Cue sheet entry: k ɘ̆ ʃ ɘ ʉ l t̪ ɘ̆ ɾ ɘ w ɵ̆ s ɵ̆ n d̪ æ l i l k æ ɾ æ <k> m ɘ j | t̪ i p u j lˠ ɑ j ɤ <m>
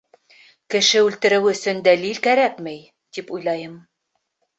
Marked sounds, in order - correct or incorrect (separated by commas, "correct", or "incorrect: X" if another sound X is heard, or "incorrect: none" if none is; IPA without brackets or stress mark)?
correct, correct